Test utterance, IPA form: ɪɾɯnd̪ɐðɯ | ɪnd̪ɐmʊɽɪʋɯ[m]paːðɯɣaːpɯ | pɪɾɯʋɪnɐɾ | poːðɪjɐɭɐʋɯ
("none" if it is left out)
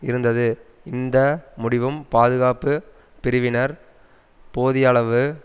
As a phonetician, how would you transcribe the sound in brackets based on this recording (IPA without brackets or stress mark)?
m